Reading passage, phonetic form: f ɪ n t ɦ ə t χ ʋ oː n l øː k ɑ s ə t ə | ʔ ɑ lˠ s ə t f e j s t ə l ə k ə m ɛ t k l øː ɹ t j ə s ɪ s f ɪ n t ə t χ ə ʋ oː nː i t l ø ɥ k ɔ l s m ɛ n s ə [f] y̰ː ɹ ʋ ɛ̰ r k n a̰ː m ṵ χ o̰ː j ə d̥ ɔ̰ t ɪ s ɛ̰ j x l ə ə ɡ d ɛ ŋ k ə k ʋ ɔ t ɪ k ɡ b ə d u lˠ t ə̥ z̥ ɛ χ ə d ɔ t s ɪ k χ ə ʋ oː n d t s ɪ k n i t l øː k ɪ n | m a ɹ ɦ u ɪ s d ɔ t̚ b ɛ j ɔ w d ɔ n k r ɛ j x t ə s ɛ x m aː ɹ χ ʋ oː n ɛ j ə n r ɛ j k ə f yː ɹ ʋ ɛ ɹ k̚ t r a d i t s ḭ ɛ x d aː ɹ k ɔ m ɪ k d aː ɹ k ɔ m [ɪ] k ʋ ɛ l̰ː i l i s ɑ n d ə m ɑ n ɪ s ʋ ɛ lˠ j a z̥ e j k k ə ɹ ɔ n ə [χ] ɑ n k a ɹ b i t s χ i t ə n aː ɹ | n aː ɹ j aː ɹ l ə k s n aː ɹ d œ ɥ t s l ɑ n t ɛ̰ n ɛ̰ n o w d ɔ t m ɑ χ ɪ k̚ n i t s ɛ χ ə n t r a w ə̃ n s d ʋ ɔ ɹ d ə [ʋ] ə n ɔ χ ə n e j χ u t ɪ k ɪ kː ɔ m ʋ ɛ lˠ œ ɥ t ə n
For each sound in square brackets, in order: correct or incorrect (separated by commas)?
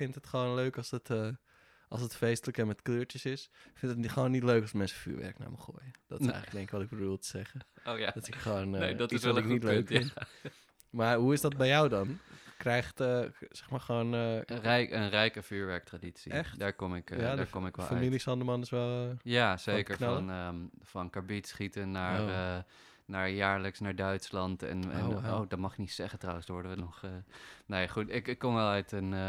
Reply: correct, correct, incorrect, correct